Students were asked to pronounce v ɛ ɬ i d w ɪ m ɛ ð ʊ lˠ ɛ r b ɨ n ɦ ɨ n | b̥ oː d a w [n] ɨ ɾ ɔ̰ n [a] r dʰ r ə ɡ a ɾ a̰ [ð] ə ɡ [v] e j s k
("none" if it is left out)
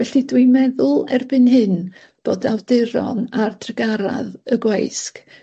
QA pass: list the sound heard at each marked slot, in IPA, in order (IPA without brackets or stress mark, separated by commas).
d, a, ð, w